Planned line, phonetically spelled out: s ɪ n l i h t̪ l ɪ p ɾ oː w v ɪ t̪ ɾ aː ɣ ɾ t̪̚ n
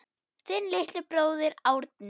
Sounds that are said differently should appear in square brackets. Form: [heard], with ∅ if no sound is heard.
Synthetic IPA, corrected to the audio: [θ] ɪ n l [ɪ] h t̪ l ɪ p ɾ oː w [ð] ɪ [∅] ɾ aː [w] ɾ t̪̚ n

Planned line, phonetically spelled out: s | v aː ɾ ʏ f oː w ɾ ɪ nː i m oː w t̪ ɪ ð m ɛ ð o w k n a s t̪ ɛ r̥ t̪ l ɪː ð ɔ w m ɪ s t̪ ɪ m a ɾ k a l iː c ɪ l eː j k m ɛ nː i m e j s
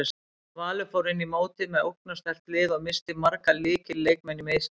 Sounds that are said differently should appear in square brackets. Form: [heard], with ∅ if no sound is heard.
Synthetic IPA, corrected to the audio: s | v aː [l] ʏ f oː w ɾ ɪ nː i m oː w t̪ ɪ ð m ɛ ð o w k n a s t̪ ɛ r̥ t̪ l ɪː ð ɔ [ɣ] m ɪ s t̪ ɪ m a ɾ k a l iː c ɪ l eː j k m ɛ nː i m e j s

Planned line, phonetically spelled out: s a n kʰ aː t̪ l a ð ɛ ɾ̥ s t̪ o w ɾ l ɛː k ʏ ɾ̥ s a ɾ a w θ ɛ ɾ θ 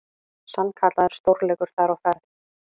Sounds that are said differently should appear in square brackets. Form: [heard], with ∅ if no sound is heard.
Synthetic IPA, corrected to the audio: s a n kʰ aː t̪ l a ð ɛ ɾ̥ s t̪ o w ɾ l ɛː k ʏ ɾ̥ [θ] a ɾ a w [f] ɛ ɾ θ

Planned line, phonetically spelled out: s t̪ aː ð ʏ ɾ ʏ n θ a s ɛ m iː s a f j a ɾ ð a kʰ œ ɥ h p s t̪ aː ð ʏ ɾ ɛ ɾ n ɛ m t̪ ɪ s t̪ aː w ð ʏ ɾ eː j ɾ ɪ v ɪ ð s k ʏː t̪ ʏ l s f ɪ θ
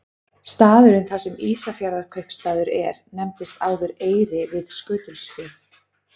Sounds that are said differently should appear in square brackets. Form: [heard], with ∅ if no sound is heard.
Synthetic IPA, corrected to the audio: s t̪ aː ð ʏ ɾ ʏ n θ a s ɛ m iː s a f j a ɾ ð a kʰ œ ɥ h p s t̪ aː ð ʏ ɾ ɛ ɾ n ɛ m t̪ ɪ s t̪ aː w ð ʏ ɾ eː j ɾ ɪ v ɪ ð s k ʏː t̪ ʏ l s f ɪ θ

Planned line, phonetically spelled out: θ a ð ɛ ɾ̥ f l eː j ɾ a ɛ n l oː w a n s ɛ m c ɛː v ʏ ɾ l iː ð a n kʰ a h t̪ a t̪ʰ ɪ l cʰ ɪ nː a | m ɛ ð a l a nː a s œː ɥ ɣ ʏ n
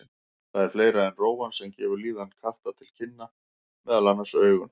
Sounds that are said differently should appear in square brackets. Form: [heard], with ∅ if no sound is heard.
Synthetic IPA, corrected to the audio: θ a ð ɛ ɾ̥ f l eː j ɾ a ɛ n [r] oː w a n s ɛ m c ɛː v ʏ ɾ l iː ð a n kʰ a h t̪ a t̪ʰ ɪ l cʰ ɪ nː a | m ɛ ð a l a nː a s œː ɥ ɣ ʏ n

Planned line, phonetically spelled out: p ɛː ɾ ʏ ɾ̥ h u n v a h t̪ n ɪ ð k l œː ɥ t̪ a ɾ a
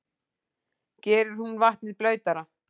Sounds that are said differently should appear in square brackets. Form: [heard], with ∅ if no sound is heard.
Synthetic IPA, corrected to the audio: [c] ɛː ɾ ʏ ɾ̥ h u n v a h t̪ n ɪ ð [p] l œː ɥ t̪ a ɾ a

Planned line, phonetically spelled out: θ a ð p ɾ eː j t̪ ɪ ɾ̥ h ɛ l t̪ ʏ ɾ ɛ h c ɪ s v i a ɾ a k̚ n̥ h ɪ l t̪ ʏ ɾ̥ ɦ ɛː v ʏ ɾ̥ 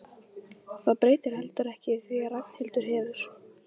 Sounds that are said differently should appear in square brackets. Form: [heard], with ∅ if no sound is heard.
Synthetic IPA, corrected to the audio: θ a ð p ɾ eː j t̪ ɪ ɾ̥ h ɛ l t̪ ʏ ɾ ɛ h c ɪ [θ] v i a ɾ a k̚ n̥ h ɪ l t̪ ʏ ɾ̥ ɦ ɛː v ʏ ɾ̥

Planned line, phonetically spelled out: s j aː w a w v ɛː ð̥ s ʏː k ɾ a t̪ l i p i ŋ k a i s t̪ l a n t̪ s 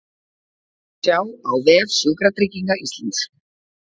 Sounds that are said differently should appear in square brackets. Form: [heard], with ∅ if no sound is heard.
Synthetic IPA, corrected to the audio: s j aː w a w v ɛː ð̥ s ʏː k ɾ a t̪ [ɾ] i [c] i ŋ k a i s t̪ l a n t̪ s

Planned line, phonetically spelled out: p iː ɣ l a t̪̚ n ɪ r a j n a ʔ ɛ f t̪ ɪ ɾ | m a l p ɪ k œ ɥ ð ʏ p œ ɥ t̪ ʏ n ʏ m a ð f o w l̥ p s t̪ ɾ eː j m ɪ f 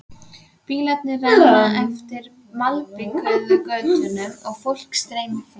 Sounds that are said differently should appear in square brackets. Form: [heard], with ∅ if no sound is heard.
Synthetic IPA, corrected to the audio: p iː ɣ l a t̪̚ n ɪ r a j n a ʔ ɛ f t̪ ɪ ɾ | m a l p ɪ k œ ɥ ð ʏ [k] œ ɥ t̪ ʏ n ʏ m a [ɣ] f o w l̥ [k] s t̪ ɾ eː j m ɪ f

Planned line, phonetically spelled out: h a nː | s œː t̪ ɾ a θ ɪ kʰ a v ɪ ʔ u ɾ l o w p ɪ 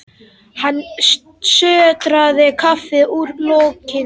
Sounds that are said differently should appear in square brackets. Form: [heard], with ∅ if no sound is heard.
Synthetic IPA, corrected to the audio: h a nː | s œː t̪ ɾ a [ð] ɪ kʰ a [f] ɪ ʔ u ɾ l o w [c] ɪ

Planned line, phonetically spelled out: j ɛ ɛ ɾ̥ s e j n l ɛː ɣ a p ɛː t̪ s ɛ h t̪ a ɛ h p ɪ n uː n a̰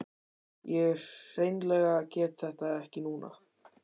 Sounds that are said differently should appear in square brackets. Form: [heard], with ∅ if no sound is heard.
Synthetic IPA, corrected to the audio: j ɛ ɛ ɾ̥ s e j n l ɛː ɣ a [c] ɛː t̪ [θ] ɛ h t̪ a ɛ h [c] ɪ n uː n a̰

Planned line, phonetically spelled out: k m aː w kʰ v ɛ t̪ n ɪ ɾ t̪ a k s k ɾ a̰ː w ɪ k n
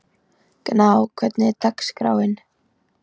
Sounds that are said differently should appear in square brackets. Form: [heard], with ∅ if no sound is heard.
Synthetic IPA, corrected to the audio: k [n] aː w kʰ v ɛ t̪ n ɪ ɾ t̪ a k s k ɾ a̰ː w ɪ [∅] n

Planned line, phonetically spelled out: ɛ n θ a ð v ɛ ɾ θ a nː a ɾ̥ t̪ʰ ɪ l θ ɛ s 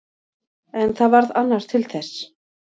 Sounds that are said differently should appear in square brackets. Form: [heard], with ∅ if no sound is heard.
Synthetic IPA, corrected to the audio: ɛ n θ a ð v [a] ɾ [ð] a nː a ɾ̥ t̪ʰ ɪ l θ ɛ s

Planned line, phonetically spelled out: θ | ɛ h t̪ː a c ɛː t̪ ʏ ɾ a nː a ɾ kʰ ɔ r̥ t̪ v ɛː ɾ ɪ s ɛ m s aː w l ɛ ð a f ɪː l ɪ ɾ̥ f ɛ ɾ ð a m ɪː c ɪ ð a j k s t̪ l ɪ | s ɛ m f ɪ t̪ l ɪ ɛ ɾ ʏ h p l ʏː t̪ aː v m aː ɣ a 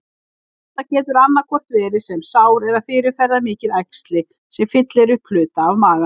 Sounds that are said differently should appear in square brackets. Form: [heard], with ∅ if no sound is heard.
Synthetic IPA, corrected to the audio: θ | ɛ h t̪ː a c ɛː t̪ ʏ ɾ a nː a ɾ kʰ ɔ r̥ t̪ v ɛː ɾ ɪ s ɛ m s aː w [ɾ] ɛ ð a f ɪː [ɾ] ɪ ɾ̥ f ɛ ɾ ð a m ɪː c ɪ ð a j k s t̪ l ɪ | s ɛ m f ɪ t̪ l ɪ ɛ ɾ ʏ h p l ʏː t̪ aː v m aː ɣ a

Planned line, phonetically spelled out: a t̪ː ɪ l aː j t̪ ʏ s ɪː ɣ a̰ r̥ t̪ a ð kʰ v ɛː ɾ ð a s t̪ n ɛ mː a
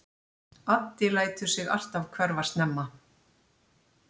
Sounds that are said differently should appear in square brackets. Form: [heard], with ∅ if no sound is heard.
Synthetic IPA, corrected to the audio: a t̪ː ɪ l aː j t̪ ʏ s [ɪ] ɣ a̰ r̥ t̪ a [v] kʰ v [ɛ] ɾ [v] a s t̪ n ɛ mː a

